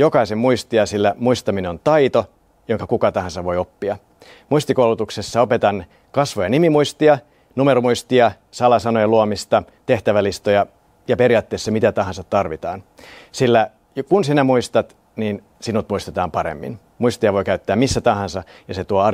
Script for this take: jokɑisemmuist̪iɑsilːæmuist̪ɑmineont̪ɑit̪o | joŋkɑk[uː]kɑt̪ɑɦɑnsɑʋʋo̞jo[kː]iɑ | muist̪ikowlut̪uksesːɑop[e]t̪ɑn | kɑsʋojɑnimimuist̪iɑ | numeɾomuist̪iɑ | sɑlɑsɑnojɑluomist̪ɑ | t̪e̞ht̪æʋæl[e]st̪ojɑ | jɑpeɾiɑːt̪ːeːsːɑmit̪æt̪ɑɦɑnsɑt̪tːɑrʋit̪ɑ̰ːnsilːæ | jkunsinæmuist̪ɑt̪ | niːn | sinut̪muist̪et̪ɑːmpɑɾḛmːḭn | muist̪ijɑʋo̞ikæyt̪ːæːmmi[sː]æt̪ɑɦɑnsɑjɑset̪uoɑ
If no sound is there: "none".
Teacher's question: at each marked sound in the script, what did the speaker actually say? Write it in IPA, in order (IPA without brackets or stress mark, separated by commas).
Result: u, pː, e, i, sː